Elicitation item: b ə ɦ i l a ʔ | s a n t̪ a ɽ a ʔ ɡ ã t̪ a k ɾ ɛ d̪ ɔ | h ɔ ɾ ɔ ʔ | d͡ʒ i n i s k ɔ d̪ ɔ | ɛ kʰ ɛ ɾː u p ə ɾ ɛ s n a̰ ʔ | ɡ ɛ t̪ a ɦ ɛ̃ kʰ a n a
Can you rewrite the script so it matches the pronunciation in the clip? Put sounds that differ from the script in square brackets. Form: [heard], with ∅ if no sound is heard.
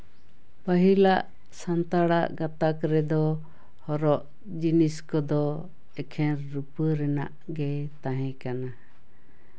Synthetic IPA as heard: [p] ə ɦ i l a ʔ | s a n t̪ a ɽ a ʔ ɡ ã t̪ a k ɾ ɛ d̪ ɔ | h ɔ ɾ ɔ ʔ | d͡ʒ i n i s k ɔ d̪ ɔ | ɛ kʰ ɛ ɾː u p ə ɾ ɛ [∅] n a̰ ʔ | ɡ ɛ t̪ a ɦ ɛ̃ [k] a n a